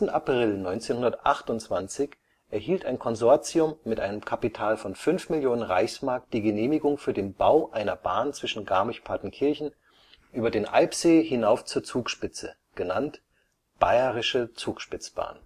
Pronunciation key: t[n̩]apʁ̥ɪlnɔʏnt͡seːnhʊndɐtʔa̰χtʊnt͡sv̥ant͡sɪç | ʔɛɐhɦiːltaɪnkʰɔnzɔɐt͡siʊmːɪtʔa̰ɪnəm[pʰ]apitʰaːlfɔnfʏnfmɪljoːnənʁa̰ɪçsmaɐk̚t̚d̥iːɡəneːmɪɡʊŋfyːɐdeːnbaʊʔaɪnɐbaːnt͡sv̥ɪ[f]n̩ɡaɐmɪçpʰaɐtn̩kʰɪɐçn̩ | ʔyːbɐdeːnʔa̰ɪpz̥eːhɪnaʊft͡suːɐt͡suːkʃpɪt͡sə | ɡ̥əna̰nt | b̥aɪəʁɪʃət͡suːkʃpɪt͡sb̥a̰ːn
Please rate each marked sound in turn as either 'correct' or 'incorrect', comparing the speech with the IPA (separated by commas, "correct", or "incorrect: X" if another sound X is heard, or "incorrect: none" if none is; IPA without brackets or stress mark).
correct, incorrect: kʰ, incorrect: ʃ